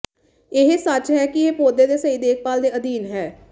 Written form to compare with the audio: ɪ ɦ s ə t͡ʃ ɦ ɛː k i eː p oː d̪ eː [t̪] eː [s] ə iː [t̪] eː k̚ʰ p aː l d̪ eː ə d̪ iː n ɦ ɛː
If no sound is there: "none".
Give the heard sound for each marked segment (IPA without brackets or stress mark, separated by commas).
d̪, s, d̪